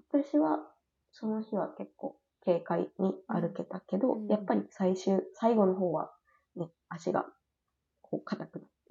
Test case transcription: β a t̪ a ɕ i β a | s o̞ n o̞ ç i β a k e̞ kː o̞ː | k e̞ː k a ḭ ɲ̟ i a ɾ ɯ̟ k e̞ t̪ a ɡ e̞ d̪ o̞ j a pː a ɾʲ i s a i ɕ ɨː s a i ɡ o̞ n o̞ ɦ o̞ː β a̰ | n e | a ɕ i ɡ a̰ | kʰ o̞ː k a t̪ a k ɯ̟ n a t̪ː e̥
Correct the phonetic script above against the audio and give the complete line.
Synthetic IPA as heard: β a t̪ a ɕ i β a | s o̞ n o̞ ç i β a k e̞ kː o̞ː | k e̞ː k a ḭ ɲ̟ i a ɾ ɯ̟ k e̞ t̪ a k e̞ d̪ o̞ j a pː a ɾʲ i s a i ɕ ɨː s a i ɡ o̞ n o̞ ɦ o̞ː β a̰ | n e | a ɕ i ɡ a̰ | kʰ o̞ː k a t̪ a k ɯ̟ n a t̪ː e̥